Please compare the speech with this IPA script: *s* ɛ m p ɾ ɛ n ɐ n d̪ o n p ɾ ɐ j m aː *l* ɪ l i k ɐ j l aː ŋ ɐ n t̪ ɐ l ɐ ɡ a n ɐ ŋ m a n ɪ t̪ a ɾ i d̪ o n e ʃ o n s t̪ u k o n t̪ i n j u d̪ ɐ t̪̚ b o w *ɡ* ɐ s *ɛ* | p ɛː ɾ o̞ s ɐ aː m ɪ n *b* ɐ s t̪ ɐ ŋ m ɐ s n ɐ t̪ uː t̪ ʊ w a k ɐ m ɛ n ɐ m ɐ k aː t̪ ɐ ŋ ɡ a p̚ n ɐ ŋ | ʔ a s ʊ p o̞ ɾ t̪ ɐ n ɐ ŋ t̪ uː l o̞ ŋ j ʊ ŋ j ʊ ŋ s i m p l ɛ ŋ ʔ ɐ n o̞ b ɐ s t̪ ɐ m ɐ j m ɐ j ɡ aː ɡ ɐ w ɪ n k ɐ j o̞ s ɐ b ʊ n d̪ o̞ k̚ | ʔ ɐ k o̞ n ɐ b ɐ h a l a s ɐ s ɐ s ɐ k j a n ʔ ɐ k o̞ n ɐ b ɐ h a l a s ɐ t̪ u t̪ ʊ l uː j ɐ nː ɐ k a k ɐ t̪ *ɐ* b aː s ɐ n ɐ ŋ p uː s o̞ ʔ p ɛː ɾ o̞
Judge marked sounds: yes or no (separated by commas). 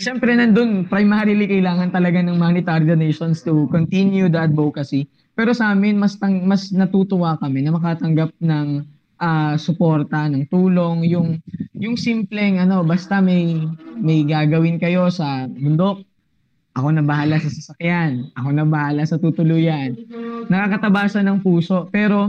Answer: no, no, no, no, no, yes